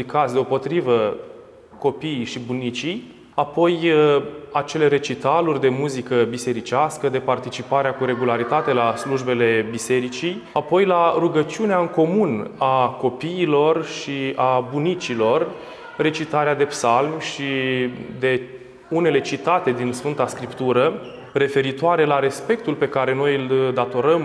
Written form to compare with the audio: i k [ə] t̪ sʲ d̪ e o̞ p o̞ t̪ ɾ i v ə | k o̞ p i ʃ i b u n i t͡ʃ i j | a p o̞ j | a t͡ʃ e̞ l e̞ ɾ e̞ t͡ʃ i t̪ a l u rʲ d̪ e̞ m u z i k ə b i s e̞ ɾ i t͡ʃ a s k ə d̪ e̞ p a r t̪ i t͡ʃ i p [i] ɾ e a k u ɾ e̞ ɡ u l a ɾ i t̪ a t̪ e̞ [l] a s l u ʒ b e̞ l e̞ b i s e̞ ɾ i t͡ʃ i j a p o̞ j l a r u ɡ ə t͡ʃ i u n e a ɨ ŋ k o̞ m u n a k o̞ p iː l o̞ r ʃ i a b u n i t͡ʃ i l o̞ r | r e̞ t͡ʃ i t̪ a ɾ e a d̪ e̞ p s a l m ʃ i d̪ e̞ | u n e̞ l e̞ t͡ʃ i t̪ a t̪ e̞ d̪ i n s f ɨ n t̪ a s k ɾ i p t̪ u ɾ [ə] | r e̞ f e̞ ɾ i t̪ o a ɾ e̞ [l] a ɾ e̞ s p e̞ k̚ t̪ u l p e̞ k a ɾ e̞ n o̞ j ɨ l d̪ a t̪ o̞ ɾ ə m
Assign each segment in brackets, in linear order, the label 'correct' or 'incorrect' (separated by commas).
incorrect, incorrect, correct, correct, correct